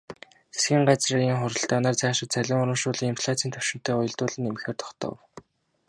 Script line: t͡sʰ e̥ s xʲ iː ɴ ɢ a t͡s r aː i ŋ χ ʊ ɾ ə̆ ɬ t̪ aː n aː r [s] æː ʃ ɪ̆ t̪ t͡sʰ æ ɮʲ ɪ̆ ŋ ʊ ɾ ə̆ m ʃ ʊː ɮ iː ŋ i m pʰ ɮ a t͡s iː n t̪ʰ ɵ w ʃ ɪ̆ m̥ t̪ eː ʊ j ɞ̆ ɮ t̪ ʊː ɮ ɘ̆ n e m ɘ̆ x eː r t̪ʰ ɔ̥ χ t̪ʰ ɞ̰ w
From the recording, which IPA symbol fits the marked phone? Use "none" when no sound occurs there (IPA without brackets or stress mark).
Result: t͡s